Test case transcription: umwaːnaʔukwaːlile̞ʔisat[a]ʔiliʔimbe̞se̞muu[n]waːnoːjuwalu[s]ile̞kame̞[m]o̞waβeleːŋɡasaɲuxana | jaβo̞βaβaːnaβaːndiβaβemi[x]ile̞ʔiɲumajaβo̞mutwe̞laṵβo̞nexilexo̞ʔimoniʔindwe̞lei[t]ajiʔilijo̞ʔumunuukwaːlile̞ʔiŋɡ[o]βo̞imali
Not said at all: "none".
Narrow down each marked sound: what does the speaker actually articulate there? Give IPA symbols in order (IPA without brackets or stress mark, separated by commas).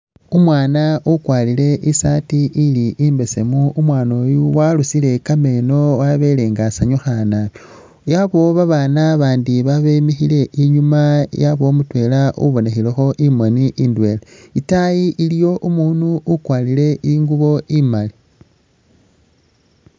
i, m, s, n, x, t, u